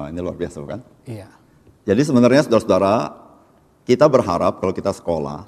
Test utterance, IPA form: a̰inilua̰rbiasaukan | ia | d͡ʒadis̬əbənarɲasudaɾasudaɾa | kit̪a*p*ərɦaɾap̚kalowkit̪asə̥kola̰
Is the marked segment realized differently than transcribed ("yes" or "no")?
yes